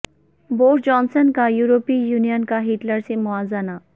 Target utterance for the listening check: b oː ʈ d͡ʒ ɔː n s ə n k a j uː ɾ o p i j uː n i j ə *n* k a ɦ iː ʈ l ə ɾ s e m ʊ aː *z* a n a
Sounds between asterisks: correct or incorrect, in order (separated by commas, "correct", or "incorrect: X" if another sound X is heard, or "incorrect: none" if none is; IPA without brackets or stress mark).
correct, correct